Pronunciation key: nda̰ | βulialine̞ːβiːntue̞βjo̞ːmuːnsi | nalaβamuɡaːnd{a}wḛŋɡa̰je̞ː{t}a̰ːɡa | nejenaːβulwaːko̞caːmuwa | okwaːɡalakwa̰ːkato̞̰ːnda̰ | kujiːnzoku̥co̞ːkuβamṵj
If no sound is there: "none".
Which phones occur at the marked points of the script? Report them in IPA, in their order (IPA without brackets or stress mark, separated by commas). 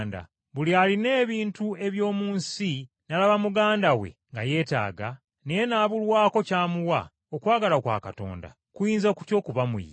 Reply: a, t